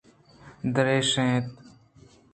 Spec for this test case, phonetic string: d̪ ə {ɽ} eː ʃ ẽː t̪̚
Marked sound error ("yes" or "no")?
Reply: yes